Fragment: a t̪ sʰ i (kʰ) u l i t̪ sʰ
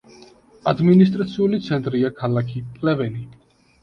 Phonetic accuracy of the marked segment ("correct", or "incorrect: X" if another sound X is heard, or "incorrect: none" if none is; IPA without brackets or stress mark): incorrect: none